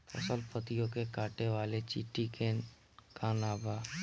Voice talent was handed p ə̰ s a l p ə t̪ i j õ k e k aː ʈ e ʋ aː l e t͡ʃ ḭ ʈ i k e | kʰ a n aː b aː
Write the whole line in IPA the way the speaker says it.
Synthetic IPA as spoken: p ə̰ s ə l p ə t̪ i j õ k e k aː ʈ e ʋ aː l e t͡ʃ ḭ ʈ i k e | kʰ a n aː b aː